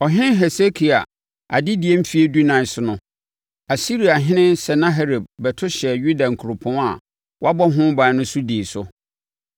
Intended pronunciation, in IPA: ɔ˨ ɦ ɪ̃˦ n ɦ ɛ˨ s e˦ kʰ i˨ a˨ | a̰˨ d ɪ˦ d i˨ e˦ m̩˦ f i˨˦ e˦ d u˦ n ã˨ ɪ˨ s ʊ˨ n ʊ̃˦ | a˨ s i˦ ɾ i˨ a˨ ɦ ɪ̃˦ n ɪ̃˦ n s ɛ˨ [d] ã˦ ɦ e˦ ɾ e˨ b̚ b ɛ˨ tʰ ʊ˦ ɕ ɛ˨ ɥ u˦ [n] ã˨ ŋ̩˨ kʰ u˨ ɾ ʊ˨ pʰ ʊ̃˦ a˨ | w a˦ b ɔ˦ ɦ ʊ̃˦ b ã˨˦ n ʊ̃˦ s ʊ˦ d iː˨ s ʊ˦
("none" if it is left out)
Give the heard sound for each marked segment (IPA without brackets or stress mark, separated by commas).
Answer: n, d